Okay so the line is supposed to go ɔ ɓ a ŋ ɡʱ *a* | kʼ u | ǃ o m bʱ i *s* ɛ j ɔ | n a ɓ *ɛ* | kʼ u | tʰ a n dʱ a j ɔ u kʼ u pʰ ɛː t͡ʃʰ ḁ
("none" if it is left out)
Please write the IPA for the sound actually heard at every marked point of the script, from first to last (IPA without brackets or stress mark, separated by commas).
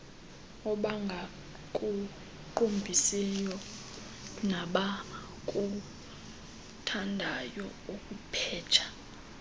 a, s, a